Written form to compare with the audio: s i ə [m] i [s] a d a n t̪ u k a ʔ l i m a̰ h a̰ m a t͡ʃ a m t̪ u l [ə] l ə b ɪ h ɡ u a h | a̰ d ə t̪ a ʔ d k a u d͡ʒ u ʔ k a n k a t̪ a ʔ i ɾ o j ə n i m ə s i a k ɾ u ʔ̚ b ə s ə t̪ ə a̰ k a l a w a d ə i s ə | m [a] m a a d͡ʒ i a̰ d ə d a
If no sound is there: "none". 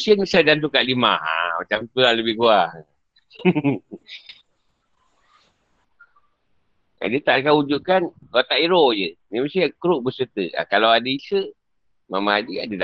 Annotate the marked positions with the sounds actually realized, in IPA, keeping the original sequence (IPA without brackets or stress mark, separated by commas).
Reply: n, s, a, a